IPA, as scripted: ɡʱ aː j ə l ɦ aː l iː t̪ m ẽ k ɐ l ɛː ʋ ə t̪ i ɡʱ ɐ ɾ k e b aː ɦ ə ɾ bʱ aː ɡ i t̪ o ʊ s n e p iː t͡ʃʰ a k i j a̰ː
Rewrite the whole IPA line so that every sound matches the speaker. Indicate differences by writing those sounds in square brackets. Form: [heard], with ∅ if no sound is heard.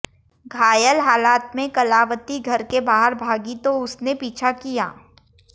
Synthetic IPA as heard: ɡʱ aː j ə l ɦ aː l [aː] t̪ m ẽ k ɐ l [aː] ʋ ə t̪ i ɡʱ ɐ ɾ k e b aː ɦ ə ɾ bʱ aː ɡ i t̪ o ʊ s n e p iː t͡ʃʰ a k i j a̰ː

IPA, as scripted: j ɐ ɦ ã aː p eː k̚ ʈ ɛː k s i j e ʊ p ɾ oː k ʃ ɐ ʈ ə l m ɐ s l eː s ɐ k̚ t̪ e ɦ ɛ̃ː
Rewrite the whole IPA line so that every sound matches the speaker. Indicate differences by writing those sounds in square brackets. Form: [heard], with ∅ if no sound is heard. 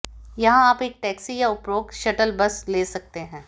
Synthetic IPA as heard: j ɐ ɦ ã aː p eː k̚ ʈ ɛː k s i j [a] ʊ p ɾ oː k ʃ ɐ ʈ ə l [b] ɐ s l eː s ɐ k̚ t̪ e ɦ ɛ̃ː

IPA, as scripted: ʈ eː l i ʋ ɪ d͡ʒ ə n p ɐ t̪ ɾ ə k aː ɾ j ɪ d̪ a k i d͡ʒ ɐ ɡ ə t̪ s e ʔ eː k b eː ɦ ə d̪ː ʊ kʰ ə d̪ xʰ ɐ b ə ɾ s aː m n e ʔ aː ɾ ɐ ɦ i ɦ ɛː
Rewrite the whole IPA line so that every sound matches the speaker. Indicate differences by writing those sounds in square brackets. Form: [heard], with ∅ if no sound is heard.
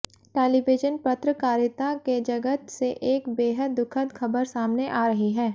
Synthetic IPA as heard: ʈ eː l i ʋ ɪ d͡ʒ ə n p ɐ t̪ ɾ ə k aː ɾ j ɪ [t̪] a k [e] d͡ʒ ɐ ɡ ə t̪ s e ʔ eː k b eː ɦ ə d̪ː ʊ kʰ ə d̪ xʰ ɐ b ə ɾ s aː m n e ʔ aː ɾ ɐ ɦ i ɦ ɛː

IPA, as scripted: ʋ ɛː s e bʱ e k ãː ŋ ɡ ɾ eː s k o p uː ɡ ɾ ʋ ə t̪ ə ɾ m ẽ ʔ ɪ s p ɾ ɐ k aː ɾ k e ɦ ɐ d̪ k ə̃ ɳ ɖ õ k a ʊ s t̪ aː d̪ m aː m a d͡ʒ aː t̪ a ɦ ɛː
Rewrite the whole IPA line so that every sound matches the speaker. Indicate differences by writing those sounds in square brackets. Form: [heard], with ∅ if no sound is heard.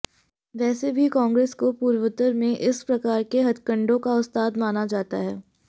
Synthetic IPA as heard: ʋ ɛː s e bʱ [i] k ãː ŋ ɡ ɾ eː s k o p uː [∅] ɾ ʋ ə t̪ ə ɾ m ẽ ʔ ɪ s p ɾ ɐ k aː ɾ k e ɦ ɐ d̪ k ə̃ ɳ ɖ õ k a ʊ s t̪ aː d̪ m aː [n] a d͡ʒ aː t̪ a ɦ ɛː

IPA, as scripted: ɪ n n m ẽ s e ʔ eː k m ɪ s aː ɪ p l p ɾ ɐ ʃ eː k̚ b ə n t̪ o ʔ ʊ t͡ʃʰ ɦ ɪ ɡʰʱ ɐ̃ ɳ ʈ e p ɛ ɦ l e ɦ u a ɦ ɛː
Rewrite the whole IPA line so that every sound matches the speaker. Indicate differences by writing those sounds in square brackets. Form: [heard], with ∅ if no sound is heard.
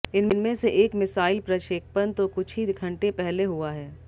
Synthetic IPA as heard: ɪ n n m ẽ s e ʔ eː k m ɪ s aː ɪ [∅] l p ɾ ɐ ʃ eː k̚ [p] ə n t̪ o [k] ʊ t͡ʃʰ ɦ [i] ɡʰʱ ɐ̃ ɳ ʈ e p ɛ ɦ l e ɦ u a ɦ ɛː

